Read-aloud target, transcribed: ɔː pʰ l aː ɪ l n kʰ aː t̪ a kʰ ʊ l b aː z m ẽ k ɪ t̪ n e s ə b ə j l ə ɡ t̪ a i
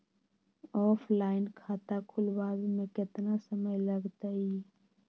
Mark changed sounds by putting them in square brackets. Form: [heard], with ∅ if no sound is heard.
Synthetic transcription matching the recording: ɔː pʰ l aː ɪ [∅] n kʰ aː t̪ a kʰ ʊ l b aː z m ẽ k ɪ t̪ n [a] s ə [m] ə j l ə ɡ t̪ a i